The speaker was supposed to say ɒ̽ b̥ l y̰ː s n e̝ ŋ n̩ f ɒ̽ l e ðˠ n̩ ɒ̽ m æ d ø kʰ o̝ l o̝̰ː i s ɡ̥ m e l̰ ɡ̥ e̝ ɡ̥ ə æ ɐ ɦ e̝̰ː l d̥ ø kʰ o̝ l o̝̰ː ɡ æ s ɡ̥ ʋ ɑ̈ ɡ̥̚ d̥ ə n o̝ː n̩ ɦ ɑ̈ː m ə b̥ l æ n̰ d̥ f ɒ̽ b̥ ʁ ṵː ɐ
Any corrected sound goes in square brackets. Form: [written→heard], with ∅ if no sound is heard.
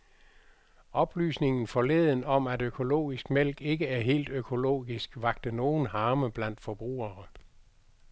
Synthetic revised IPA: ɒ̽ b̥ l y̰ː s n e̝ ŋ n̩ f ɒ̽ l e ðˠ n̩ ɒ̽ m æ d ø kʰ o̝ l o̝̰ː i s ɡ̥ m e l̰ ɡ̥ e̝ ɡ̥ ə æ ɐ ɦ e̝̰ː l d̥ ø kʰ o̝ l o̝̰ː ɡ [æ→i] s ɡ̥ ʋ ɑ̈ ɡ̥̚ d̥ ə n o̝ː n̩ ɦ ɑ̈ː m ə b̥ l æ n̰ d̥ f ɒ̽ b̥ ʁ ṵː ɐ